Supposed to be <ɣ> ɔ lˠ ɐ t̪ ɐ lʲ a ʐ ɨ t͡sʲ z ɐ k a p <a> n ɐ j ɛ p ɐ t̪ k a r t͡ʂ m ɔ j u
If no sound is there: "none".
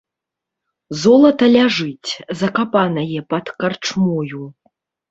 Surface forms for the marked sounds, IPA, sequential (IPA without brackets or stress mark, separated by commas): z, a